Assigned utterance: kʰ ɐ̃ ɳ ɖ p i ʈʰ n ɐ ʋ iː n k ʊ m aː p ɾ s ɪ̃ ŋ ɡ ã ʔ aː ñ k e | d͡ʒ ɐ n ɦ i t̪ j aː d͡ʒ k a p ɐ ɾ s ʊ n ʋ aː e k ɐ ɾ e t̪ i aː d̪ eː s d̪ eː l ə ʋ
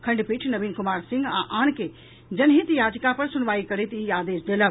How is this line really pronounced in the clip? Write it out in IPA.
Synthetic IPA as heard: kʰ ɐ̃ ɳ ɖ p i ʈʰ n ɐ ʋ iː n k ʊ m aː ɾ s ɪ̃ ŋ ɡ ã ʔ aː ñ k e | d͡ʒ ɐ n ɦ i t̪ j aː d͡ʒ k a p ɐ ɾ s ʊ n ʋ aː i k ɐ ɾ e t̪ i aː d̪ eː s d̪ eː l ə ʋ